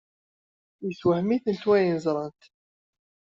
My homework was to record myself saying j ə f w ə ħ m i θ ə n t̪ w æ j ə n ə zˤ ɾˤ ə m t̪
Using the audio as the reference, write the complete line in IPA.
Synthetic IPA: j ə s w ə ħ m i θ ə n t̪ w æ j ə n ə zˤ ɾˤ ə n t̪